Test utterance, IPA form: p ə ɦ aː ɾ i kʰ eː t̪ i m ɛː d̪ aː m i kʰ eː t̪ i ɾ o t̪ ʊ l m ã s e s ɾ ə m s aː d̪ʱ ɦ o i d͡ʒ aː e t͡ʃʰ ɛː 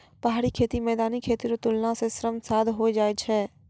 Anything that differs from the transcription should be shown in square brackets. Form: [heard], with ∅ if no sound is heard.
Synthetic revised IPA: p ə ɦ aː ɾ i kʰ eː t̪ i m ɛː d̪ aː [n] i kʰ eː t̪ i ɾ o t̪ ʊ l [n] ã s e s ɾ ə m s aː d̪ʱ ɦ o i d͡ʒ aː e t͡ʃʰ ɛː

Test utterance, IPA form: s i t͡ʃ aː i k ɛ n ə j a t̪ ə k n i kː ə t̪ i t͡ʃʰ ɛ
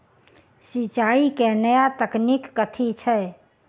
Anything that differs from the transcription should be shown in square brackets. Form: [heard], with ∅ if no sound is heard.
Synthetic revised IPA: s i t͡ʃ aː i k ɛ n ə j a t̪ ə k n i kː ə [t̪ʰ] i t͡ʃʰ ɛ

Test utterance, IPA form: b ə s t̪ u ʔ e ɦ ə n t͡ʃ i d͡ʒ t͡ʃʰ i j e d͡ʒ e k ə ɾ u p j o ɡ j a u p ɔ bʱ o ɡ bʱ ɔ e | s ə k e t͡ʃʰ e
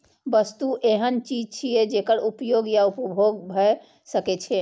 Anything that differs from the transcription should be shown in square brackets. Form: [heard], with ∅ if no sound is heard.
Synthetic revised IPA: b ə s t̪ u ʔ e ɦ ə n t͡ʃ i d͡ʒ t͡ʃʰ i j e d͡ʒ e k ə ɾ u p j o ɡ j a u p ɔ bʱ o ɡ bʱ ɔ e | s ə k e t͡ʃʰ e

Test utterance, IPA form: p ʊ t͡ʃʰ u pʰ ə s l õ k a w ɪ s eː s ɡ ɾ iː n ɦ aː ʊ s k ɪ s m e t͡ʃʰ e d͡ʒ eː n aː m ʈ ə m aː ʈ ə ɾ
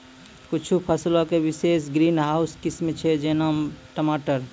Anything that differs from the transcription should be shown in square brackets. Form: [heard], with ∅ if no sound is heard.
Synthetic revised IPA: [k] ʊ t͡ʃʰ u pʰ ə s l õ k [e] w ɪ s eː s ɡ ɾ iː n ɦ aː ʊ s k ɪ s m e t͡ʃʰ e d͡ʒ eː n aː m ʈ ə m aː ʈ ə ɾ

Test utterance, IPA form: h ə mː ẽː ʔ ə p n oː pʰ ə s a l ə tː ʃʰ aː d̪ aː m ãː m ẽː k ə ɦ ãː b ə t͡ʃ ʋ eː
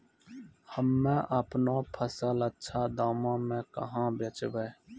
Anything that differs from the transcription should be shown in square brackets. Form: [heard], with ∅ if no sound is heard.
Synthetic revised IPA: h ə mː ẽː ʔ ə p n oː pʰ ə s [ə] l ə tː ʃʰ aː d̪ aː m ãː m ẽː k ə ɦ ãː b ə t͡ʃ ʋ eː

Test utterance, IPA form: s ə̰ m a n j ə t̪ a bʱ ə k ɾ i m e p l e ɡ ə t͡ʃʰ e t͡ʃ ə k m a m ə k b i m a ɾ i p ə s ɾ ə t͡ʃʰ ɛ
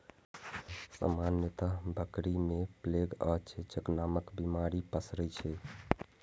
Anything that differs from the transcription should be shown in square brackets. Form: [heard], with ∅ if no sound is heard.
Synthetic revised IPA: s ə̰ m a n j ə t̪ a bʱ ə k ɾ i m e p l e ɡ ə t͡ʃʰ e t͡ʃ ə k [n] a m ə k b i m a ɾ i p ə s ɾ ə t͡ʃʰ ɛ

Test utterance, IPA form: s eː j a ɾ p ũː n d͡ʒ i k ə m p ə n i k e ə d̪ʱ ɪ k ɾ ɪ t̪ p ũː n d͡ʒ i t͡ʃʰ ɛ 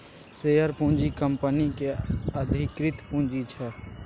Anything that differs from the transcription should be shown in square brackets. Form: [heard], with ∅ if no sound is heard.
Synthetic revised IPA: s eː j [ə] ɾ p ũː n d͡ʒ i k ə m p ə n i k e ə d̪ʱ ɪ k ɾ ɪ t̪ p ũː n d͡ʒ i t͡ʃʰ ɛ

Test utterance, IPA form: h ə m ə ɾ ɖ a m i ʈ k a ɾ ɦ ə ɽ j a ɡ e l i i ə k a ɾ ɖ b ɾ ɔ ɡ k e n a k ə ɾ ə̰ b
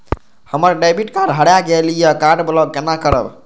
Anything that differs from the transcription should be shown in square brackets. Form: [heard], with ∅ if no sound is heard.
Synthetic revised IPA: h ə m ə ɾ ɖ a [b] i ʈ k a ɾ ɦ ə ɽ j a ɡ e l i [j] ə k a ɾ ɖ b [l] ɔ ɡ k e n a k ə ɾ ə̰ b

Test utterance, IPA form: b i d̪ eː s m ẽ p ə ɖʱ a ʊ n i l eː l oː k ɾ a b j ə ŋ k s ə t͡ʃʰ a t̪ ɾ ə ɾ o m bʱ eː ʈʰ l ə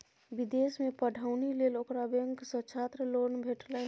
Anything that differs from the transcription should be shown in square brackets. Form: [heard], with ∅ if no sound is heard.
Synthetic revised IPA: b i d̪ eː s m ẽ p ə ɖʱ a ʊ n i l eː l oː k ɾ a b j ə ŋ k s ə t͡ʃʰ a t̪ ɾ ə [l] o [n] bʱ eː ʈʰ l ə

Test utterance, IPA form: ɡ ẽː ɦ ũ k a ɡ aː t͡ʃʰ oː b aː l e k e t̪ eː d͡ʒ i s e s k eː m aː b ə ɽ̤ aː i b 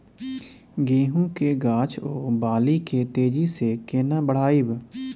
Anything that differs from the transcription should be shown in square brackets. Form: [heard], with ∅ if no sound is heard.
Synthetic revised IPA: ɡ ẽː ɦ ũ k [e] ɡ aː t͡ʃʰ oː b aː l [i] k e t̪ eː d͡ʒ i s e [∅] k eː [n] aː b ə ɽ̤ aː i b

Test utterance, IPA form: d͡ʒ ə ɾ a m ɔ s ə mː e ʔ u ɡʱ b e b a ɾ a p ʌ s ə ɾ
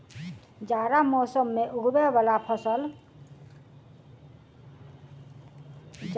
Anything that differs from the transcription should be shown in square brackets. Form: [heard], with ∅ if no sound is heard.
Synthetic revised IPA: d͡ʒ [a] ɾ a m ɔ s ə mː e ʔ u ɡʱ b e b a [l] a [pʰ] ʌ s ə [l]

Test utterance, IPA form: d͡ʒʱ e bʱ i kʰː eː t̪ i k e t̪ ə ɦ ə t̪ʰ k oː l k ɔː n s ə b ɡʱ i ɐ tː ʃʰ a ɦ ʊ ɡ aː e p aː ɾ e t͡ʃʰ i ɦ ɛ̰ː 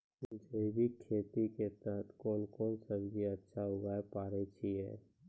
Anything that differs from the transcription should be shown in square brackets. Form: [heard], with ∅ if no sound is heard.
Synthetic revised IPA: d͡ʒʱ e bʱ i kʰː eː t̪ i k e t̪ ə ɦ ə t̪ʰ k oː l k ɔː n s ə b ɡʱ i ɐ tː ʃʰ a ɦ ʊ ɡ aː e p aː ɾ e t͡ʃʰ i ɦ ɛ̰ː

